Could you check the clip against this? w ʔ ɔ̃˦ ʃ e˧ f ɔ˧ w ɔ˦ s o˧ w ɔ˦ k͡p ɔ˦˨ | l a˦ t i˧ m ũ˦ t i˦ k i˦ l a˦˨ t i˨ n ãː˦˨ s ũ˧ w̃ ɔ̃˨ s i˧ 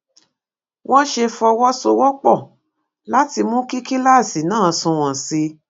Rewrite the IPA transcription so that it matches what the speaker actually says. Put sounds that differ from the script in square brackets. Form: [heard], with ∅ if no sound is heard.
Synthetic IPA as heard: w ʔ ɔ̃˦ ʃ e˧ f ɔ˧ w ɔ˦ s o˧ w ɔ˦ k͡p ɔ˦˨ | l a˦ t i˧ m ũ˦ [k] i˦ k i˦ l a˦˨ [s] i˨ n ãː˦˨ s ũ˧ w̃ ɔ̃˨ s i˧